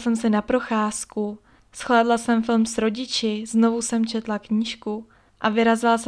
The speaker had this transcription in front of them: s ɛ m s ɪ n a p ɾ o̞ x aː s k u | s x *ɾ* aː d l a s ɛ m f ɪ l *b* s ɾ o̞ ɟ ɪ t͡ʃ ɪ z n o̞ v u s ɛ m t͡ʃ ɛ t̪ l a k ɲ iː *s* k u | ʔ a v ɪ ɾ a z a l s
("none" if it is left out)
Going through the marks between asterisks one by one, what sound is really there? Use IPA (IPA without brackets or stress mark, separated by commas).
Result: l, m, ʃ